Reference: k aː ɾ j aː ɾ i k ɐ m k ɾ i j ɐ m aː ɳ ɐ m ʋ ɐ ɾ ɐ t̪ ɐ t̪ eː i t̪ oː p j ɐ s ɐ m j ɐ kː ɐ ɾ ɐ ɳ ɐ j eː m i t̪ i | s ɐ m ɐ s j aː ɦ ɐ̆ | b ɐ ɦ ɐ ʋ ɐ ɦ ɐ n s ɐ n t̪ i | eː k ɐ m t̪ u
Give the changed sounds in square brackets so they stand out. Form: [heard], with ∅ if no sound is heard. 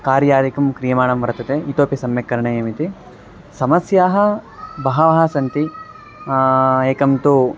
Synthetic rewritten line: k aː ɾ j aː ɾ i k ɐ m k ɾ i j ɐ m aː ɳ ɐ m ʋ ɐ ɾ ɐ t̪ ɐ t̪ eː i t̪ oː p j ɐ s ɐ m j ɐ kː ɐ ɾ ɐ ɳ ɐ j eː m i t̪ i | s ɐ m ɐ s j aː ɦ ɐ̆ | b ɐ ɦ ɐ ʋ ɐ ɦ ɐ [∅] s ɐ n t̪ i | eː k ɐ m t̪ u